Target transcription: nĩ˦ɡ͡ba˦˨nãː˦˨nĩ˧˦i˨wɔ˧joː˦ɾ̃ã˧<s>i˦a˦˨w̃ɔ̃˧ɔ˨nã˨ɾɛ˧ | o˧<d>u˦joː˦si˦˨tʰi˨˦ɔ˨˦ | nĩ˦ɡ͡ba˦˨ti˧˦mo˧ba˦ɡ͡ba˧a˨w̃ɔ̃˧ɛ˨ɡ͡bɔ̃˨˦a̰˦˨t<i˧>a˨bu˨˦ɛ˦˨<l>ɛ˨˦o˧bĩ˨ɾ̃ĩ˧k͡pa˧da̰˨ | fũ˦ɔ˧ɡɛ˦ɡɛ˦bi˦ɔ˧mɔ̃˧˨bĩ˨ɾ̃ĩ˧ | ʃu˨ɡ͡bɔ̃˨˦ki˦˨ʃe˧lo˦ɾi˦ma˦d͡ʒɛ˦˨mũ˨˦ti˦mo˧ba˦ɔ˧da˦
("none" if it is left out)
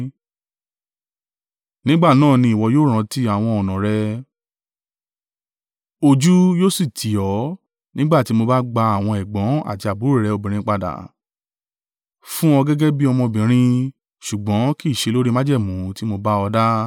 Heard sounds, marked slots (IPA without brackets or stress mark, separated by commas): t, d͡ʒ, i˧, ɾ